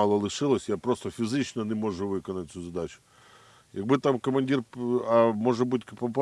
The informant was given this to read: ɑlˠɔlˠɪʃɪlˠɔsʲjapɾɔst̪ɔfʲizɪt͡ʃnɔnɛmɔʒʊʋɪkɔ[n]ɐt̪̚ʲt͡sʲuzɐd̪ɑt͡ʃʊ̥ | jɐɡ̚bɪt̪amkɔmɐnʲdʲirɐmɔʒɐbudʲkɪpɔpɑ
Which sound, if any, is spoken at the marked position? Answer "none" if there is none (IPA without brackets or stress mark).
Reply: n